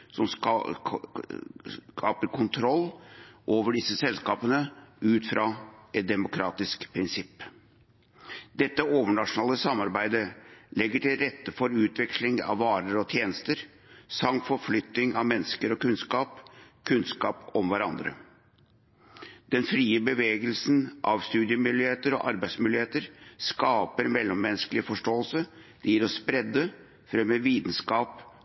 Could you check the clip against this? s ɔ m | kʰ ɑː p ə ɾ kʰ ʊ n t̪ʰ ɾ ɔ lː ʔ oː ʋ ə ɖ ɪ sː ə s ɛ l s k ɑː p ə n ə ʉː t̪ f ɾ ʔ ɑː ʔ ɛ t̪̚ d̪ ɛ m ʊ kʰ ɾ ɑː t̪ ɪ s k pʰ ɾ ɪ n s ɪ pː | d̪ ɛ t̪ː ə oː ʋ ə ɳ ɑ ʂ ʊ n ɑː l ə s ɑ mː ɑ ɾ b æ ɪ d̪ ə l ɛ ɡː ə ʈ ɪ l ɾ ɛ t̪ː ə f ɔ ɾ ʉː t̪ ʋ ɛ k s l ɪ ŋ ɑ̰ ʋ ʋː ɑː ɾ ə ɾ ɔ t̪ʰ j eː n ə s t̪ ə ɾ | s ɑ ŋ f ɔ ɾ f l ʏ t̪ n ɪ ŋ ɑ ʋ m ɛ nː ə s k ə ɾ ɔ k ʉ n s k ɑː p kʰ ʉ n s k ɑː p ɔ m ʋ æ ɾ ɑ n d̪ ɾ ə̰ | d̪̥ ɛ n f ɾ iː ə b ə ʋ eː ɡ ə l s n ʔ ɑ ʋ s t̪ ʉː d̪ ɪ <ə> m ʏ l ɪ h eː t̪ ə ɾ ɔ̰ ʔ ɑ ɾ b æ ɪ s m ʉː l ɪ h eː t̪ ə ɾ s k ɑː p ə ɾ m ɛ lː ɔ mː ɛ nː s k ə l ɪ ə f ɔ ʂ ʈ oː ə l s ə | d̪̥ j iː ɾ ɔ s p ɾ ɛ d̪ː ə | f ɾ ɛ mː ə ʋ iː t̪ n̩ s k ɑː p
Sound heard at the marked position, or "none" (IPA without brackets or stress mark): ə